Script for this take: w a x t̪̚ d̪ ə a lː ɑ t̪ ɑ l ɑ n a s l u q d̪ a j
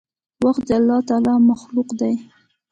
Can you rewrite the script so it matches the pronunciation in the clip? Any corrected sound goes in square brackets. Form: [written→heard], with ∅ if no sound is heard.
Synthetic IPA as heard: w a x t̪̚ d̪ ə a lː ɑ t̪ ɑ l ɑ [n→m] a [s→x] l u q d̪ a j